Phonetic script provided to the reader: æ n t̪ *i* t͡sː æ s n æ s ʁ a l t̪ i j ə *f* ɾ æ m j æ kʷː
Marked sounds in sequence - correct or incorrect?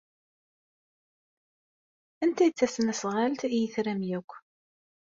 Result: incorrect: æ, incorrect: θ

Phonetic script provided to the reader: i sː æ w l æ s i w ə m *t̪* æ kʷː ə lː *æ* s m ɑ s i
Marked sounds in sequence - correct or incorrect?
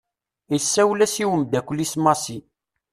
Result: incorrect: d̪, incorrect: i

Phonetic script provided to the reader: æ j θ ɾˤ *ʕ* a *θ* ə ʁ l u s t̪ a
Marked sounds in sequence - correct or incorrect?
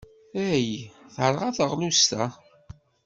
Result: incorrect: ʁ, correct

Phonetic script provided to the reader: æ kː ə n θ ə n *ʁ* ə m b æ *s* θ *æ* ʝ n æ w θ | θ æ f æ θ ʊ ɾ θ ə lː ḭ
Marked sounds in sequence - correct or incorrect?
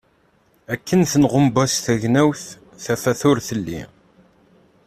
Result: correct, correct, correct

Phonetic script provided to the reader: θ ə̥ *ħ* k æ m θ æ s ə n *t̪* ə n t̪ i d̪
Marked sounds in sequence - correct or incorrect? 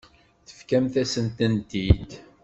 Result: incorrect: f, correct

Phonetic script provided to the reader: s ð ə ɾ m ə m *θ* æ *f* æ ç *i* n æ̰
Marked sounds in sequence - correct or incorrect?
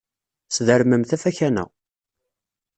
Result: correct, correct, incorrect: æ

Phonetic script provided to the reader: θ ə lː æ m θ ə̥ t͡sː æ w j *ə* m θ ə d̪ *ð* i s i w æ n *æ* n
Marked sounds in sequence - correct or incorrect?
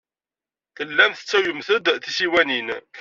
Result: correct, incorrect: θ, incorrect: i

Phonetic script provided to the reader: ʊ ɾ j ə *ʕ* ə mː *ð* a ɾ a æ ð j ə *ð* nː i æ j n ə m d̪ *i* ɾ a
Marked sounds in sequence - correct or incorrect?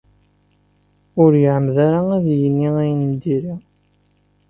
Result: correct, correct, incorrect: none, correct

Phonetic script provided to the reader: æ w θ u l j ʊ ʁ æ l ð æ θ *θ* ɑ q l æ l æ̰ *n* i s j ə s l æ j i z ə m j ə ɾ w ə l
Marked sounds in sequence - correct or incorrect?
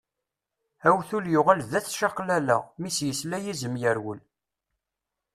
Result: incorrect: ʃ, incorrect: m

